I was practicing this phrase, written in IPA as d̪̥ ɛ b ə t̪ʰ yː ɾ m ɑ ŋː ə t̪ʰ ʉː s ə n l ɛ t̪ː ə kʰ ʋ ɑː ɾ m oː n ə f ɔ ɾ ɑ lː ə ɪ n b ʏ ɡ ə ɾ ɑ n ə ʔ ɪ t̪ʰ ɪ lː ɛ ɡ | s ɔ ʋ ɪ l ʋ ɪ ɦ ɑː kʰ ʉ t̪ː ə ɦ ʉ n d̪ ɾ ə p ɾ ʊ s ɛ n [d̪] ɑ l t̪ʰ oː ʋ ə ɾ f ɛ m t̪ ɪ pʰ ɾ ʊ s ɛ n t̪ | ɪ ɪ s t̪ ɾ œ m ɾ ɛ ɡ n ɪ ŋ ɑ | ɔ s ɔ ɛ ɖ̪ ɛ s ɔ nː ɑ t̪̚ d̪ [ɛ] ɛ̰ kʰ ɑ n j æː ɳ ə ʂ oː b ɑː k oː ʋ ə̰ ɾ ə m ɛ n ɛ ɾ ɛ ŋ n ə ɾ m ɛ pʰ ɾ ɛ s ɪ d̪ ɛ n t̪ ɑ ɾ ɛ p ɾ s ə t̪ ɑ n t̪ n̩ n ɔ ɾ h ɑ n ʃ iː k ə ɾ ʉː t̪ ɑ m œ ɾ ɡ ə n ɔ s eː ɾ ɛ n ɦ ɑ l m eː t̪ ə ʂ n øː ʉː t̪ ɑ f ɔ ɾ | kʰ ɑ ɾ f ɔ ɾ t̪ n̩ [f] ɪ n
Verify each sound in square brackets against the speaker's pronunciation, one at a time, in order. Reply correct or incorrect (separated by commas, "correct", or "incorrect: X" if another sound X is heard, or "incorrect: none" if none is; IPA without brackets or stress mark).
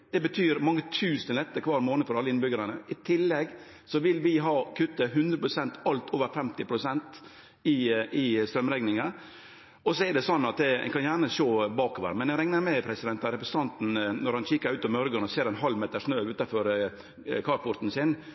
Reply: incorrect: t̪, correct, incorrect: s